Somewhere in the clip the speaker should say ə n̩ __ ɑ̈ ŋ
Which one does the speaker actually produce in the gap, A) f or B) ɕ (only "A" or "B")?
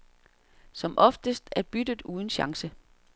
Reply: B